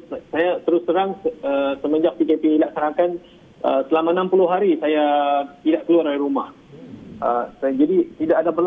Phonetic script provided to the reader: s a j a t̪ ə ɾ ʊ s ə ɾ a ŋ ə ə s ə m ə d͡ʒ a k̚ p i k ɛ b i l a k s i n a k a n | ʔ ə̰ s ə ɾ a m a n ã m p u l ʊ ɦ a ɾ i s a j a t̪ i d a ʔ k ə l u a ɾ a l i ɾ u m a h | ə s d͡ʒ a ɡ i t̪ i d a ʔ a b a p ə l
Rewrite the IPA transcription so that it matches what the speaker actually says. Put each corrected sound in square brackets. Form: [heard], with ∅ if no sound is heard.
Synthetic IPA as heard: s a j a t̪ ə ɾ ʊ s ə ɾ a ŋ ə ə s ə m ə d͡ʒ a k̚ p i k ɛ [p] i l a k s [a] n a k a n | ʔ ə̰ s ə [l] a m a n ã m p u l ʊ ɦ a ɾ i s a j a t̪ i d a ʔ k ə l u a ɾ a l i ɾ u m a h | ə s d͡ʒ a [d] i t̪ i d a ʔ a [d] a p ə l